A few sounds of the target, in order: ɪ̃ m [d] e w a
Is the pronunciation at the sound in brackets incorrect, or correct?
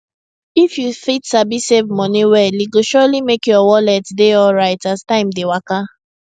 correct